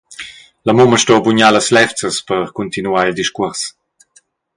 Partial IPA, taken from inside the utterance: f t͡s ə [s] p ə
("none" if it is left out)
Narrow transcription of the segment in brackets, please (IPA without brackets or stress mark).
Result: s